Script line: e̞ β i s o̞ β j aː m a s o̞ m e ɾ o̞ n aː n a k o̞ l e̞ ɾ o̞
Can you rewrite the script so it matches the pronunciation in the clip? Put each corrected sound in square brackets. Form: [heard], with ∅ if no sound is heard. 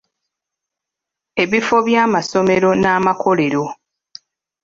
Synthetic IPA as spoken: e̞ β i [f] o̞ β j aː m a s o̞ m e ɾ o̞ n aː [m] a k o̞ l e̞ ɾ o̞